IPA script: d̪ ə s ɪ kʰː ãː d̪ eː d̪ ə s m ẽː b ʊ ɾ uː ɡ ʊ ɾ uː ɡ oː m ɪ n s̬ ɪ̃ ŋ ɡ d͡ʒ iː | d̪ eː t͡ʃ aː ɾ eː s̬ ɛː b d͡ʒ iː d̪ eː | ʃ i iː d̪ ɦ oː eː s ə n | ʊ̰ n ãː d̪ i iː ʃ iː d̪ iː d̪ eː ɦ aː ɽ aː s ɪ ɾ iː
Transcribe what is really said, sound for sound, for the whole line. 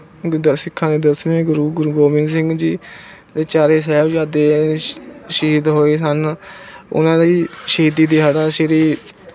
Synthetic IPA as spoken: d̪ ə s ɪ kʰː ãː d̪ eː d̪ ə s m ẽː ɡ ʊ ɾ uː ɡ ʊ ɾ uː ɡ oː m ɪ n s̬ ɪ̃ ŋ ɡ d͡ʒ iː | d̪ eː t͡ʃ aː ɾ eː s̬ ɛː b d͡ʒ aː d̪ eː | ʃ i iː d̪ ɦ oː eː s ə n | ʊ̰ n ãː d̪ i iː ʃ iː d̪ iː d̪ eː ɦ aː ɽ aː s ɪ ɾ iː

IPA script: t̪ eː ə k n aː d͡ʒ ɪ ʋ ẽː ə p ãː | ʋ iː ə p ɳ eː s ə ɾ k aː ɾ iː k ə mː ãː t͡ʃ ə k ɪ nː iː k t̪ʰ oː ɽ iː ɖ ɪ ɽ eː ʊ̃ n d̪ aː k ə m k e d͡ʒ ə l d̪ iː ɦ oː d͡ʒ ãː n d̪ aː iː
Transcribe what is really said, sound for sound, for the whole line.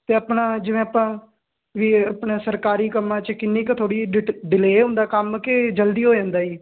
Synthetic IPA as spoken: t̪ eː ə p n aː d͡ʒ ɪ ʋ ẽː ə p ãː | ʋ iː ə p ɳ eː s ə ɾ k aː ɾ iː k ə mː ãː t͡ʃ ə k ɪ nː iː k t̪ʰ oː ɽ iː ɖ ɪ l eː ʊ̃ n d̪ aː k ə m k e d͡ʒ ə l d̪ iː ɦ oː d͡ʒ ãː n d̪ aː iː

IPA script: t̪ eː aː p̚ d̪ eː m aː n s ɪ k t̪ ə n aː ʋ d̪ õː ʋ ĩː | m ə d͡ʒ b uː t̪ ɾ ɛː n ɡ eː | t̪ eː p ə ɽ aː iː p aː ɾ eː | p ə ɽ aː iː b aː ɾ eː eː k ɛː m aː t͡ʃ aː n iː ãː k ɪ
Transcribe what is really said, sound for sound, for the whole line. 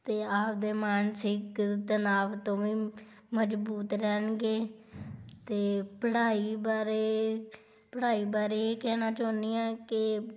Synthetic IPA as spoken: t̪ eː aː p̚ d̪ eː m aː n s ɪ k t̪ ə n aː ʋ t̪ õː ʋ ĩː | m ə d͡ʒ b uː t̪ ɾ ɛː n ɡ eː | t̪ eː p ə ɽ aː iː b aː ɾ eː | p ə ɽ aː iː b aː ɾ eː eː k ɛː n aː t͡ʃ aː n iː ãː k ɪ

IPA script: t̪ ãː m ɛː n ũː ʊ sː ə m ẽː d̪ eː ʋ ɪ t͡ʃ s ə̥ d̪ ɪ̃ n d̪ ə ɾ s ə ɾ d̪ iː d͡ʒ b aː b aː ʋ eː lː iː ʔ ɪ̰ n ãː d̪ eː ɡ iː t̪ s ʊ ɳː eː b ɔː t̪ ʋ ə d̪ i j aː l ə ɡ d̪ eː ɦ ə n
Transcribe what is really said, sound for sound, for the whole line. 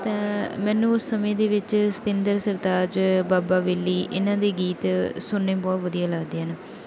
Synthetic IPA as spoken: t̪ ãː m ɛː n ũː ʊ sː ə m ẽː d̪ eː ʋ ɪ t͡ʃ s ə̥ t̪ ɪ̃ n d̪ ə ɾ s ə ɾ d̪ aː d͡ʒ b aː b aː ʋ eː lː iː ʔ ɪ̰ n ãː d̪ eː ɡ iː t̪ s ʊ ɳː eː b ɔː t̪ ʋ ə d̪ i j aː l ə ɡ d̪ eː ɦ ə n

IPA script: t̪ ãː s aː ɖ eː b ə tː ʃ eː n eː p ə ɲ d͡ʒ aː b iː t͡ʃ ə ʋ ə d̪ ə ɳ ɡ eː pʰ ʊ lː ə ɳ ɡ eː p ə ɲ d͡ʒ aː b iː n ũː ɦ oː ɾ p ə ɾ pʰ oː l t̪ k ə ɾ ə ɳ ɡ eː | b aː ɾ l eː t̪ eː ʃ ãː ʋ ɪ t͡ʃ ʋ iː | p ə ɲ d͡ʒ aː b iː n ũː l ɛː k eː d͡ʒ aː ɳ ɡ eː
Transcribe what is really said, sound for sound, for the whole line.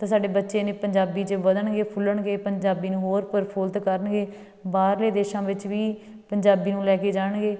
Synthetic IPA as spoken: t̪ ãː s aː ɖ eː b ə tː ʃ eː n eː p ə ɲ d͡ʒ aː b iː t͡ʃ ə ʋ ə d̪ ə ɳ ɡ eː pʰ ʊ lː ə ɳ ɡ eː p ə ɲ d͡ʒ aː b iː n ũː ɦ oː ɾ p ə ɾ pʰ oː l t̪ k ə ɾ ə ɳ ɡ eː | b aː ɾ l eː d̪ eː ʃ ãː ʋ ɪ t͡ʃ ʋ iː | p ə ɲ d͡ʒ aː b iː n ũː l ɛː k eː d͡ʒ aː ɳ ɡ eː

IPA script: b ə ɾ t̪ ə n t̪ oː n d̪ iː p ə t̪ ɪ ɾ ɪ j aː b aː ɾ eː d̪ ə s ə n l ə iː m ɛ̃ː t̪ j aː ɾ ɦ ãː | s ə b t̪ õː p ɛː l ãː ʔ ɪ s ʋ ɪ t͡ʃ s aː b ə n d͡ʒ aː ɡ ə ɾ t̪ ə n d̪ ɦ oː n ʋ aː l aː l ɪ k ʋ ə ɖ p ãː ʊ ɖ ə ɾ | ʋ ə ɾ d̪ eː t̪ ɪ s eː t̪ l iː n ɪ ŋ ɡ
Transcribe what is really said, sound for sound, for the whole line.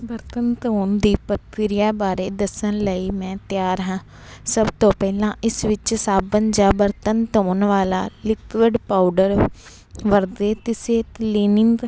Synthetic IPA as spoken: b ə ɾ t̪ ə n t̪ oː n d̪ iː p ə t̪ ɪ ɾ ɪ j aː b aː ɾ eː d̪ ə s ə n l ə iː m ɛ̃ː t̪ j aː ɾ ɦ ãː | s ə b t̪ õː p ɛː l ãː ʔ ɪ s ʋ ɪ t͡ʃ s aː b ə n d͡ʒ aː b ə ɾ t̪ ə n t̪ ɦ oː n ʋ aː l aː l ɪ k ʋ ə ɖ p aː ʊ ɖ ə ɾ | ʋ ə ɾ d̪ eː t̪ ɪ s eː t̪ l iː n ɪ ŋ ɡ

